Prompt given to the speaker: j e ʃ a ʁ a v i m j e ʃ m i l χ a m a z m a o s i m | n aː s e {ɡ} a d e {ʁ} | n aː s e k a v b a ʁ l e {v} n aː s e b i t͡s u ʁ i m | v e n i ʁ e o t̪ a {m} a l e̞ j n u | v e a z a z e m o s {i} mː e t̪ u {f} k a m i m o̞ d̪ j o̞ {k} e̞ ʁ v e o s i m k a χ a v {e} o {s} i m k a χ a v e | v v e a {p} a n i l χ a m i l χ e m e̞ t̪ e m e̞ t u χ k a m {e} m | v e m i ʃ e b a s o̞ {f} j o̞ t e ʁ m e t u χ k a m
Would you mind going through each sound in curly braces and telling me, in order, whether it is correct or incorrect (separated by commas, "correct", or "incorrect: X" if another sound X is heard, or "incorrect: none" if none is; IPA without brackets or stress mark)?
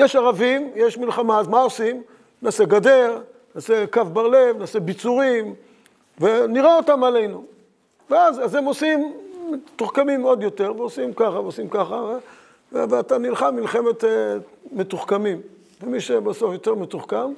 correct, correct, correct, correct, correct, incorrect: χ, incorrect: t, correct, correct, incorrect: t, incorrect: i, correct